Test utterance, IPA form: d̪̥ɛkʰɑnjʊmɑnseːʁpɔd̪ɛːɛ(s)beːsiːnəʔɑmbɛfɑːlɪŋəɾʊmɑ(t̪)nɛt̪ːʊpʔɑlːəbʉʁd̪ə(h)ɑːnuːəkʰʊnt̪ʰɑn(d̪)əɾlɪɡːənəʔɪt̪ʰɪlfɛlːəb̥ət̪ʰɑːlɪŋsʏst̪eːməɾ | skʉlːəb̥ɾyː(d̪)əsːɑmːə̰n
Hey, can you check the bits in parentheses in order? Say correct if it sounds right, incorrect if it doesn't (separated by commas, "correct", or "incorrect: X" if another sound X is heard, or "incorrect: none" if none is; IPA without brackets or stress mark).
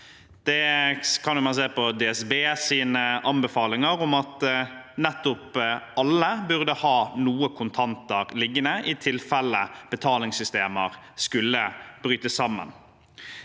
correct, correct, correct, incorrect: t̪, incorrect: t̪